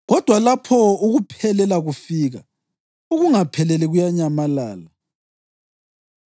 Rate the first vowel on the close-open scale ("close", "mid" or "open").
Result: mid